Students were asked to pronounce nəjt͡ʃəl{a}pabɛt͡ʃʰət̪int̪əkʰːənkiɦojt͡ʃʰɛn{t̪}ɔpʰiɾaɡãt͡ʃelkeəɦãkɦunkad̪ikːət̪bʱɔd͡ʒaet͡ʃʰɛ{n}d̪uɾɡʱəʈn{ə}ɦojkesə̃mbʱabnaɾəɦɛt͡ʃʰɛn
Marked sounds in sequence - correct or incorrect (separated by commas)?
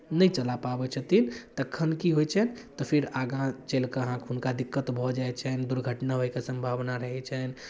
correct, correct, correct, incorrect